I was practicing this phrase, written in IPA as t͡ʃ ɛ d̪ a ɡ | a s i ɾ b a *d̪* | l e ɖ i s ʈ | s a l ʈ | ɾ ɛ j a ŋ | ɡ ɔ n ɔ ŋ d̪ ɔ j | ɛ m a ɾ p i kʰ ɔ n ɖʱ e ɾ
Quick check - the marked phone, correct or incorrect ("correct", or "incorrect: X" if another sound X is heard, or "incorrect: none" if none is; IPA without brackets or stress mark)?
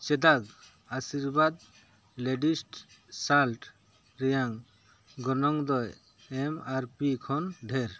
correct